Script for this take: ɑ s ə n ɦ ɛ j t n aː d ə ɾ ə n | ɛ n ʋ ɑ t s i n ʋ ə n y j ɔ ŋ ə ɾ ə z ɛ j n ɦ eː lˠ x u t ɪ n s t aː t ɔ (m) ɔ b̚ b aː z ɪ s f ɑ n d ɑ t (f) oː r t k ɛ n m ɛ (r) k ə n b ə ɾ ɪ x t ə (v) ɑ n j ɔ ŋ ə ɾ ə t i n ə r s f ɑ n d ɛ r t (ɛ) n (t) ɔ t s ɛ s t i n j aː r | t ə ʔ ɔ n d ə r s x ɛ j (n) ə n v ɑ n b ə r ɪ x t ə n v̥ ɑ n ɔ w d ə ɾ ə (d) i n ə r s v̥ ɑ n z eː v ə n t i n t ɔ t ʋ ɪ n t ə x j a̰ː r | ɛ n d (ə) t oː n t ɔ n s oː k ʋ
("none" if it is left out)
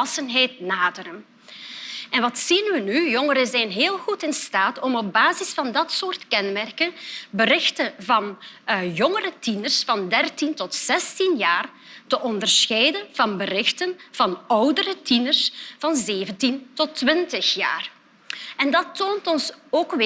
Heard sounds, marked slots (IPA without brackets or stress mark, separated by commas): m, s, r, v, i, t, d, t, ɑ